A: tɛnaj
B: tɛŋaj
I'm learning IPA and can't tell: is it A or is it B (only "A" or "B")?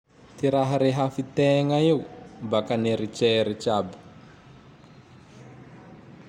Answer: B